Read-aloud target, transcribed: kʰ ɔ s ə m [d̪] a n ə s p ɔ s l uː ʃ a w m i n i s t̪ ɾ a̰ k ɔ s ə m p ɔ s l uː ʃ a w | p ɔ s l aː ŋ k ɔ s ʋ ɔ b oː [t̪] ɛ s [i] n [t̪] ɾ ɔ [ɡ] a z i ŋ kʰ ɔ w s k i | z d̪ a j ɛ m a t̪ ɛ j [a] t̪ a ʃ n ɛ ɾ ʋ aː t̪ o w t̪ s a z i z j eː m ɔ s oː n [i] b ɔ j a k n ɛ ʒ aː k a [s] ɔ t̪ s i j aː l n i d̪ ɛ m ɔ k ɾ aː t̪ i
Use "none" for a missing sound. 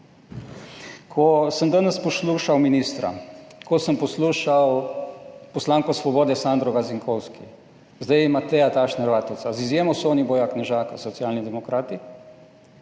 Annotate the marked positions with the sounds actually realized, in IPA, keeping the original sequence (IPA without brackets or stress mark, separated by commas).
d̪, d̪, a, d̪, ɡ, a, i, s